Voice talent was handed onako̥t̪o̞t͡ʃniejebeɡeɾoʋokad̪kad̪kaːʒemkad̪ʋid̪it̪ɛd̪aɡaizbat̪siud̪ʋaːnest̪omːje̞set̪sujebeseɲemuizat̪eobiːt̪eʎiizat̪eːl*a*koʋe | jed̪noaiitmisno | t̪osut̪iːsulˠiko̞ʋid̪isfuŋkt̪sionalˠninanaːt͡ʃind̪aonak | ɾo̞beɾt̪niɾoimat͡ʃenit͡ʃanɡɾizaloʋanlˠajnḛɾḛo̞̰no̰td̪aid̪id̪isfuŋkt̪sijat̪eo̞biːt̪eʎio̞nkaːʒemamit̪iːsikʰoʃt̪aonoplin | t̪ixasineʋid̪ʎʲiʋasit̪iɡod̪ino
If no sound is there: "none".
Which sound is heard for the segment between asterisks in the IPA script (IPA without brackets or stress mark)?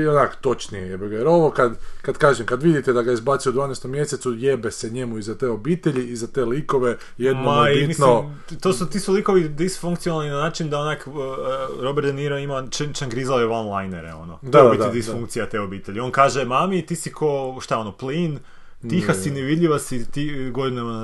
i